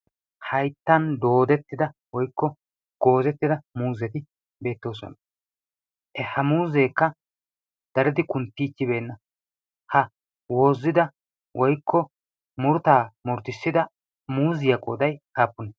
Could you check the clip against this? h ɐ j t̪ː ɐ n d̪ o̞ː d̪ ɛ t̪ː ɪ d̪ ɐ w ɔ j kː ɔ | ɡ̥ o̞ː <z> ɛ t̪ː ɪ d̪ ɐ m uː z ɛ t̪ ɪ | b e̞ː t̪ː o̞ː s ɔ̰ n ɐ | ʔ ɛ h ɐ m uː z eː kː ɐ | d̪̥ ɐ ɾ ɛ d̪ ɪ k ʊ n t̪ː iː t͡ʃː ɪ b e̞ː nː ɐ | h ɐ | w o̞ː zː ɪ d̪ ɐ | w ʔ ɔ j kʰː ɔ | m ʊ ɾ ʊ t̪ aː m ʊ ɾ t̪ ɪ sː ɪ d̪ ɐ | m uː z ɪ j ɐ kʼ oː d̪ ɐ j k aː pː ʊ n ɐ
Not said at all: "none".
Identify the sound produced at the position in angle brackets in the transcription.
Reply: z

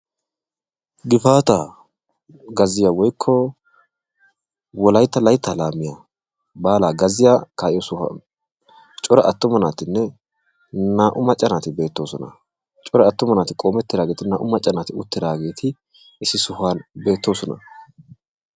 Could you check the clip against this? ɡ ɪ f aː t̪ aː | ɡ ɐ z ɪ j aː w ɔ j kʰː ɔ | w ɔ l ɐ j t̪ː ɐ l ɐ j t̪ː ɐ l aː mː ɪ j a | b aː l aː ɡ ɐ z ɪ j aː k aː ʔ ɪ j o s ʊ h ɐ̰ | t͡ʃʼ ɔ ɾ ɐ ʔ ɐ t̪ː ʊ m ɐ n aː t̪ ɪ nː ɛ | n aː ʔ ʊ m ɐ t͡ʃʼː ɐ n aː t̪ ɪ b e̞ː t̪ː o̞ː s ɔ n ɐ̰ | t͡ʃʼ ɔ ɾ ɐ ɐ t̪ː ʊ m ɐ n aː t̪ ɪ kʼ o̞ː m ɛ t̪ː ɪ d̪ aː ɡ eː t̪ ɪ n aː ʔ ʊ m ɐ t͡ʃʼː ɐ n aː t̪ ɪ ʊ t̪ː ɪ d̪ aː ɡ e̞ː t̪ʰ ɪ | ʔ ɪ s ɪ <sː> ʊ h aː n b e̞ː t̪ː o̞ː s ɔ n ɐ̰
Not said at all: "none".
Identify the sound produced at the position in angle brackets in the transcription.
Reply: s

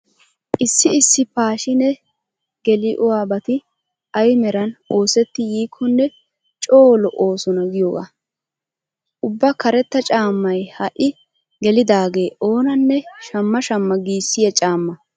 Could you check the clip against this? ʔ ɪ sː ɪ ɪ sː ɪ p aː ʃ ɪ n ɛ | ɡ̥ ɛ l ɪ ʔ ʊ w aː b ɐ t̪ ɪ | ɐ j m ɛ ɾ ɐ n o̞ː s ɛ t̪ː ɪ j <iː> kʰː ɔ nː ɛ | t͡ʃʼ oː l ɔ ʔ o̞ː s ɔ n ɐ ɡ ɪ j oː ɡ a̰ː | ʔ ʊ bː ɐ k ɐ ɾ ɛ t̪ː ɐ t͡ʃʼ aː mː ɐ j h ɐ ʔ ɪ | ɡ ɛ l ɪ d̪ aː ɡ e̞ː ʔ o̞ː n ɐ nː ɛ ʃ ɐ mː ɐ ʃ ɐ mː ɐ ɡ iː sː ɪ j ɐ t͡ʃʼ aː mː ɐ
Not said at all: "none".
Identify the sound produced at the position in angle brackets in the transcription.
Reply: iː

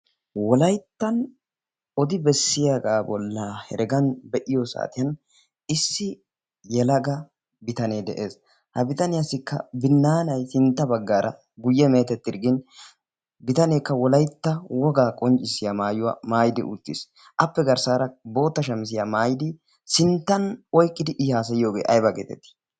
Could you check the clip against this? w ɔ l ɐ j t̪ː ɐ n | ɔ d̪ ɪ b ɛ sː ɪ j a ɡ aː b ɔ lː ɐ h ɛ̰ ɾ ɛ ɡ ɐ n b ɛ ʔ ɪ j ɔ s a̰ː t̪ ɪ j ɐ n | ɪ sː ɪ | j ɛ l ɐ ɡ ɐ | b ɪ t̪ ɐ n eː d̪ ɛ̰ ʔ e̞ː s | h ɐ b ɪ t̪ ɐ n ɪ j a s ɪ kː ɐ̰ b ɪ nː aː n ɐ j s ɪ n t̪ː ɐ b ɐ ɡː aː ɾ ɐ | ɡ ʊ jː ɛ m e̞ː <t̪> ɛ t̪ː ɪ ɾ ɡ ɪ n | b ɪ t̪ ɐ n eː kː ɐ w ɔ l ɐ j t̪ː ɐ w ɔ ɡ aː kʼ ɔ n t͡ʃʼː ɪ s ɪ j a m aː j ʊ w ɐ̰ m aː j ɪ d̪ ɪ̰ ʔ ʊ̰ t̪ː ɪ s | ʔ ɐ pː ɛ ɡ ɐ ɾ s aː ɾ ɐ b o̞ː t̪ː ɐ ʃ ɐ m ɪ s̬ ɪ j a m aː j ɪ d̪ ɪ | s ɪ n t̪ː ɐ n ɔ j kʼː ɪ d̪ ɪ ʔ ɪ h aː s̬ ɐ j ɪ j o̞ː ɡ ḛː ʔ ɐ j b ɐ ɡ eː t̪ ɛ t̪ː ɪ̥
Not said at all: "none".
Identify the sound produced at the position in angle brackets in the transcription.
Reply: t̪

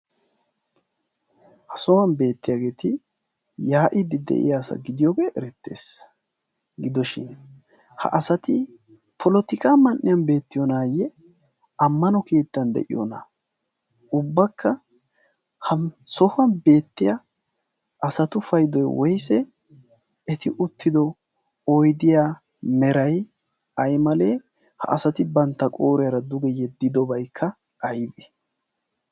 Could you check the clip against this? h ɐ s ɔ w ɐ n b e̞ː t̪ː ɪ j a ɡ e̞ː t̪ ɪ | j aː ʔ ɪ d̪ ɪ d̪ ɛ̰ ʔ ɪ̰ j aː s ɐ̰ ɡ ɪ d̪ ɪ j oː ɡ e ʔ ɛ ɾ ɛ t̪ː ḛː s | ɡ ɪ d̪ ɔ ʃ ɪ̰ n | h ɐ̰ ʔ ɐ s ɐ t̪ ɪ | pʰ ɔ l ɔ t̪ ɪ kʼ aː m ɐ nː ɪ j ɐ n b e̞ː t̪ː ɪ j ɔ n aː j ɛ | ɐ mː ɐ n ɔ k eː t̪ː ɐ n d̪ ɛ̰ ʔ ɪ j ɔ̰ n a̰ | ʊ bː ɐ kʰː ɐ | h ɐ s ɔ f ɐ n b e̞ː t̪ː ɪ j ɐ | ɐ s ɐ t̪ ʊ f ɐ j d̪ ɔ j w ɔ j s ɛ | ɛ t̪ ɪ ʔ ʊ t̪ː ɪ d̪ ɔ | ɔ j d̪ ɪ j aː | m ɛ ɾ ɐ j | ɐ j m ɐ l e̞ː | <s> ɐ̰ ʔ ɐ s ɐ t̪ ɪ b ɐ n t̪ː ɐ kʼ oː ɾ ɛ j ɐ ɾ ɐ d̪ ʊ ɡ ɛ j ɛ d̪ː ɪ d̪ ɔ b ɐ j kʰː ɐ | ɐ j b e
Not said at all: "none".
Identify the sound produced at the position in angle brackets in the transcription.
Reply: h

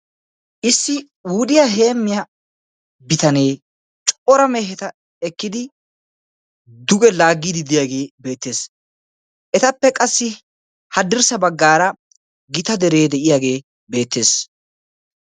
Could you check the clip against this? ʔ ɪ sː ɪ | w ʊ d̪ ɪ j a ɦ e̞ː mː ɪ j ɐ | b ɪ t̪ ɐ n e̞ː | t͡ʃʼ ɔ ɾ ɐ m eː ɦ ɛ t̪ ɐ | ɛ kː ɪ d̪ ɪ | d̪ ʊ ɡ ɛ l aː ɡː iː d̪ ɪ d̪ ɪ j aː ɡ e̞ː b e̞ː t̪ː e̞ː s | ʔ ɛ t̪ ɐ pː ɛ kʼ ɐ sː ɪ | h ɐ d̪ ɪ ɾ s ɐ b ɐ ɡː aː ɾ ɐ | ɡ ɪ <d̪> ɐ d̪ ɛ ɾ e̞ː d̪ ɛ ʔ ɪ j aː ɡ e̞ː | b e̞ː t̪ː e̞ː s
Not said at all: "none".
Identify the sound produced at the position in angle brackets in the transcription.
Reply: t̪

